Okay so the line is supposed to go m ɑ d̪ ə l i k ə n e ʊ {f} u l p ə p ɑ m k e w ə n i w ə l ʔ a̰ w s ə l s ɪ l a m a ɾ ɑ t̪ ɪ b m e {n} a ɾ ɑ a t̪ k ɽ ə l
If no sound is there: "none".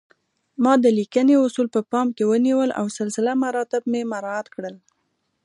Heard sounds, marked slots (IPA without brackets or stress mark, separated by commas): s, m